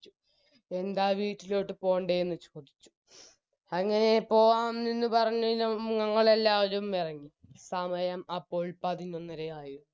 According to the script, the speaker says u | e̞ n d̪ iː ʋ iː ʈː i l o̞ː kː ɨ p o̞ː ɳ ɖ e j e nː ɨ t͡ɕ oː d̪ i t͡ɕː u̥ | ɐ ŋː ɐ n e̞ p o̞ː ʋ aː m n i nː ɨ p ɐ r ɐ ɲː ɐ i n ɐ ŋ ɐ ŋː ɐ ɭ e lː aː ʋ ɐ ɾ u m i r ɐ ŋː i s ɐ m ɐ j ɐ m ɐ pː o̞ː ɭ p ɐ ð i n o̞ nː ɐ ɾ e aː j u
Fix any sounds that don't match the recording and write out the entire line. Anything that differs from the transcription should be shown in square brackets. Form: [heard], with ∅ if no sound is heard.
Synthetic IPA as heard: u | e̞ n d̪ [aː] ʋ iː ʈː i l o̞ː [ʈː] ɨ p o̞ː ɳ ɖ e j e nː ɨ t͡ɕ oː d̪ i t͡ɕː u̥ | ɐ ŋː ɐ n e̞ p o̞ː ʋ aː m n i nː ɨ p ɐ r ɐ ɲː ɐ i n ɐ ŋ ɐ ŋː ɐ ɭ e lː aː ʋ ɐ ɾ u m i r ɐ ŋː i s ɐ m ɐ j ɐ m ɐ pː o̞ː ɭ p ɐ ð i n o̞ nː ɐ ɾ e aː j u